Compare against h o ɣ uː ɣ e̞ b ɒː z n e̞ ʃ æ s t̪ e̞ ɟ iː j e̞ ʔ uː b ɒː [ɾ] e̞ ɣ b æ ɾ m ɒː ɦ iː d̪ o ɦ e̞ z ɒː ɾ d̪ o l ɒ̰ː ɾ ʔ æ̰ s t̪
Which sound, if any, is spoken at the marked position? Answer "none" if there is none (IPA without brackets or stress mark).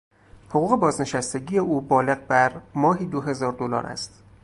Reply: l